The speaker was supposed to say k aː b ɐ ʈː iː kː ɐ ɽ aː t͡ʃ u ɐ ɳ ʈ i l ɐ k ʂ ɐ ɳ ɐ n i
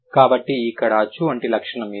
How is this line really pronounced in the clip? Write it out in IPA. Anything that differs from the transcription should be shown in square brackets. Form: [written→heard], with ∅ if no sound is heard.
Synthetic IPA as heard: k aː b ɐ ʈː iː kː ɐ ɽ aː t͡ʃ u ɐ ɳ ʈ i l ɐ k ʂ ɐ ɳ ɐ [n→m] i